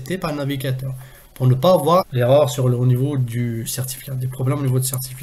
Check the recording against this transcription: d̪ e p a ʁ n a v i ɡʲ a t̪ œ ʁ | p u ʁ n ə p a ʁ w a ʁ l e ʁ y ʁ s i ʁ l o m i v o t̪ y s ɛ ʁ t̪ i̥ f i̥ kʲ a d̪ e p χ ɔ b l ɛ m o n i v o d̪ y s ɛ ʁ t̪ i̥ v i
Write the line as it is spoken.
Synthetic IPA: t̪ e p a ʁ n a v i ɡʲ a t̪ œ ʁ | p u ʁ n ə p a v w a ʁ l e ʁ œ ʁ s y ʁ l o n i v o d̪ y s ɛ ʁ t̪ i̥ f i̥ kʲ a d̪ e p χ ɔ b l ɛ m o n i v o d̪ y s ɛ ʁ t̪ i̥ f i